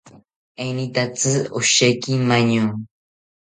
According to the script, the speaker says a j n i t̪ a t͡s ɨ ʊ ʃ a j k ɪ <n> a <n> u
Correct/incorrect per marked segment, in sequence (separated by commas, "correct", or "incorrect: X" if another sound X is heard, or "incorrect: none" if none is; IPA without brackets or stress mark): incorrect: m, incorrect: ɲ